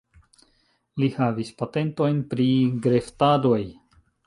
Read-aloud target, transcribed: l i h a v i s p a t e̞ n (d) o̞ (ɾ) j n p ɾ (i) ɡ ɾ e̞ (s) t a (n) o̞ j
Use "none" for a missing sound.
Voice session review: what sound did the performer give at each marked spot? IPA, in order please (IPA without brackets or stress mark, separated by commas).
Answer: t, none, i, f, d